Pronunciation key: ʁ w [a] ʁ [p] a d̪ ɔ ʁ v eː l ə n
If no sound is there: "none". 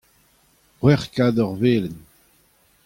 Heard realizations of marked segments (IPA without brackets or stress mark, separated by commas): ɛ, k